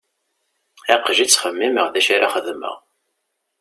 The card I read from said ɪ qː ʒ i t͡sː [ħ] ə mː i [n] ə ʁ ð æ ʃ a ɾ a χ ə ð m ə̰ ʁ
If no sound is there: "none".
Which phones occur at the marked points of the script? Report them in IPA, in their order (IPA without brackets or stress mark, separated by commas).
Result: χ, m